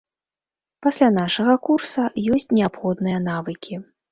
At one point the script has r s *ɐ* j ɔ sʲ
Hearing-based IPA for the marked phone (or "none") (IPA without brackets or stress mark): ɐ